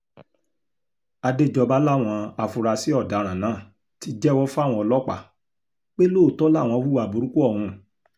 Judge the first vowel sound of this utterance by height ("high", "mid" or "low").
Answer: low